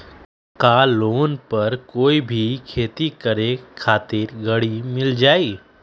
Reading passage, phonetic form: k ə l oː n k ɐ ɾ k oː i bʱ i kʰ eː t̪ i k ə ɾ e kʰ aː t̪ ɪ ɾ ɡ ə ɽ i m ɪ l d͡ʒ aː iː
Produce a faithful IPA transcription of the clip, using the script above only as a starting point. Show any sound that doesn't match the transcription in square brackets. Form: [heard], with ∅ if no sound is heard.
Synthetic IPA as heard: k [a] l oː n [p] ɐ ɾ k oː i bʱ i kʰ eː t̪ i k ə ɾ e kʰ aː t̪ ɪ ɾ ɡ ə ɽ i m ɪ l d͡ʒ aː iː